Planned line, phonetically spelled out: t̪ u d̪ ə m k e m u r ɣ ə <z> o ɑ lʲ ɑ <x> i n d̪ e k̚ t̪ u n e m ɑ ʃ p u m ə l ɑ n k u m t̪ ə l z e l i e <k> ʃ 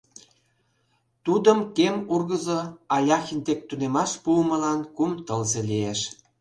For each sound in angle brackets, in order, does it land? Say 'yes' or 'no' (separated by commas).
yes, yes, no